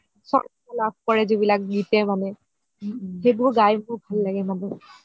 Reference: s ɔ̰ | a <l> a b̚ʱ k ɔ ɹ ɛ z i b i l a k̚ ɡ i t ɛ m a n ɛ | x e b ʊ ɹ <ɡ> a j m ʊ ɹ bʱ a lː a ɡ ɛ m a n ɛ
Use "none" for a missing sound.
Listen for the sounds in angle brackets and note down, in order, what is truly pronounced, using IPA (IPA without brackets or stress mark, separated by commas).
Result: l, ɡ